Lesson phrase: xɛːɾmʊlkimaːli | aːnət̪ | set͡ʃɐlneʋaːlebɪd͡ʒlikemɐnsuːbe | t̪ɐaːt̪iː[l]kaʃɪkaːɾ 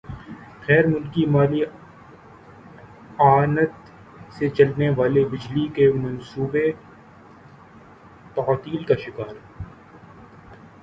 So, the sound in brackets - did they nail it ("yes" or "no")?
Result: yes